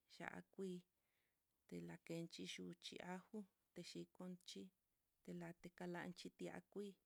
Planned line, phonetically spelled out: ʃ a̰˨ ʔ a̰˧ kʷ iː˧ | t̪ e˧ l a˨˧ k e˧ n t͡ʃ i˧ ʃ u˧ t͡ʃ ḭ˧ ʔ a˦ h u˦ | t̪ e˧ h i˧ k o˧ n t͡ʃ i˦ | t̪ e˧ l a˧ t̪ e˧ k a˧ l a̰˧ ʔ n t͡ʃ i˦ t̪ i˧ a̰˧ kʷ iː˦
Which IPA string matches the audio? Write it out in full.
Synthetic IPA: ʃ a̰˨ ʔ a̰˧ kʷ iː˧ | t̪ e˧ l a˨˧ k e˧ n t͡ʃ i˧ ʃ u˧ t͡ʃ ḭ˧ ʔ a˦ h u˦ | t̪ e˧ ʃ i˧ k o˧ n t͡ʃ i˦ | t̪ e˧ l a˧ t̪ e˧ k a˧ l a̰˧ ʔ n t͡ʃ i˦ t̪ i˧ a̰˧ kʷ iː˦

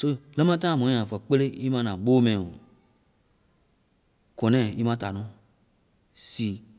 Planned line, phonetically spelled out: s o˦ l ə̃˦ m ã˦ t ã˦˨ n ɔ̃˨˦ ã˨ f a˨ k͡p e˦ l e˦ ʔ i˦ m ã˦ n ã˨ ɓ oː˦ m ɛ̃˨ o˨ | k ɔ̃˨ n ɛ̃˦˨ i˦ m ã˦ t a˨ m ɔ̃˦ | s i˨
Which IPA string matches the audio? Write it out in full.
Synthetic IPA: s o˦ l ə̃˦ m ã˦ t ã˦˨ m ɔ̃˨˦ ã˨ f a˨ k͡p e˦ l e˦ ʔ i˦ m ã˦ n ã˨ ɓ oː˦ m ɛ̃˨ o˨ | k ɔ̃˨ n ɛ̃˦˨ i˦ m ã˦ t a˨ n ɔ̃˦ | s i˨

